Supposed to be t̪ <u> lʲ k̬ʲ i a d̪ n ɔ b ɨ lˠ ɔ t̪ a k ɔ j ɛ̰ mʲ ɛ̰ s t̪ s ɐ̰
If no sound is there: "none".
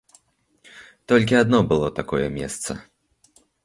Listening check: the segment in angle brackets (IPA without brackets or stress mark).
ɔ